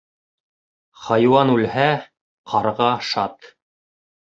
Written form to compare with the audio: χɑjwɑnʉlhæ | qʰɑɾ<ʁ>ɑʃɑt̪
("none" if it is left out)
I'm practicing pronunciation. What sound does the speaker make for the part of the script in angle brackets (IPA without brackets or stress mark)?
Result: ʁ